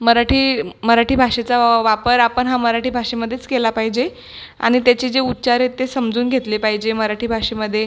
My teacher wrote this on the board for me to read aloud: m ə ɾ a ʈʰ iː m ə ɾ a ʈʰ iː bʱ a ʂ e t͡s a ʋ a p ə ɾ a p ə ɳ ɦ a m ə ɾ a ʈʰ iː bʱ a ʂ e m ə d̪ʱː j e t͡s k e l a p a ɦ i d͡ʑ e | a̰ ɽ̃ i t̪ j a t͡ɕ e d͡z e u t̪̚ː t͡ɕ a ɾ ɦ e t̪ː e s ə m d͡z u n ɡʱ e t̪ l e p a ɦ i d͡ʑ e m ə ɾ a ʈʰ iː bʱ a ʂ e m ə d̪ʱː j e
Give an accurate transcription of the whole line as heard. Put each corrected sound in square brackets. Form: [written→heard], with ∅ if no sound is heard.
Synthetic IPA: m ə ɾ a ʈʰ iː m ə ɾ a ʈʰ iː bʱ a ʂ e t͡s a ʋ a p ə ɾ a p ə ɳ ɦ a m ə ɾ a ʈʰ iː bʱ a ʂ e m ə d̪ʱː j e t͡s k e l a p a ɦ i d͡ʑ e | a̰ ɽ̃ i t̪ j a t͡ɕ e d͡z e u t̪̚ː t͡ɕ a ɾ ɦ e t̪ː e s ə m d͡z [u→uː] n ɡʱ e t̪ l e p a ɦ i d͡ʑ e m ə ɾ a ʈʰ iː bʱ a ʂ e m ə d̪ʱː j e